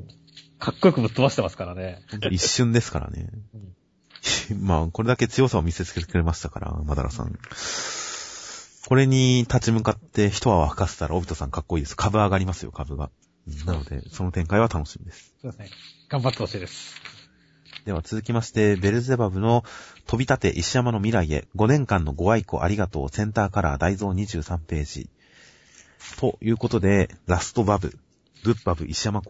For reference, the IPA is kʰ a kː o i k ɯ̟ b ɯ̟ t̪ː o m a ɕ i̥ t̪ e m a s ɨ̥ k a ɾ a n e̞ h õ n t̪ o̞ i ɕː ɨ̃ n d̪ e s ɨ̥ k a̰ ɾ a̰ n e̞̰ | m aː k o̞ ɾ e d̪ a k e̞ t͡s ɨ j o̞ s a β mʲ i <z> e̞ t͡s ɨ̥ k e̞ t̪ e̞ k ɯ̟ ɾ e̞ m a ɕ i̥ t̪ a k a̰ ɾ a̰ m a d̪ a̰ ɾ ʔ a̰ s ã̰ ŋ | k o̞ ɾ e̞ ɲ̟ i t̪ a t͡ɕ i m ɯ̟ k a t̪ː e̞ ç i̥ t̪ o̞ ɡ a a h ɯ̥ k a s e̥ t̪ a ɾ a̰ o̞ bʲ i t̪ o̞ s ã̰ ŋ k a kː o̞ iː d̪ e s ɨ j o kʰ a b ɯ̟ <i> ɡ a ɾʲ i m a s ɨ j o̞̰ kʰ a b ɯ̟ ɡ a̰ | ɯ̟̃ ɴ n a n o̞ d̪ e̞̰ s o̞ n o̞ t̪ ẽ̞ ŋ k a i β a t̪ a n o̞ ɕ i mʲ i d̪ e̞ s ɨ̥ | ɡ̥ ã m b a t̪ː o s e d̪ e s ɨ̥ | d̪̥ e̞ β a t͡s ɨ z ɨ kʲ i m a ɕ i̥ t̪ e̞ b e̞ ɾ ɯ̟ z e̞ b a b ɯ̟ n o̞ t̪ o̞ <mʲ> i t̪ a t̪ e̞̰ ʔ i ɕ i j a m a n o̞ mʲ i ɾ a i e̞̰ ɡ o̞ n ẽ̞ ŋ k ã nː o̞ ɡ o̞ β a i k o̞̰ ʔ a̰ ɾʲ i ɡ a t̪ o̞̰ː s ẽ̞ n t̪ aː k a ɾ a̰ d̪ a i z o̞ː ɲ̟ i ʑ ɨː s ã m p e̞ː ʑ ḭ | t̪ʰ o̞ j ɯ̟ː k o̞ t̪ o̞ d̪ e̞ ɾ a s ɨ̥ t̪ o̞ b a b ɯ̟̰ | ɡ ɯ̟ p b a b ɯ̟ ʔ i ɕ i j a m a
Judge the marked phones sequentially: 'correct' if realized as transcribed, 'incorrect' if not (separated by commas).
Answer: incorrect, incorrect, incorrect